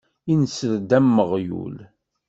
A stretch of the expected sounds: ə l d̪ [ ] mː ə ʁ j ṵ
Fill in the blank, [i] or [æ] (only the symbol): æ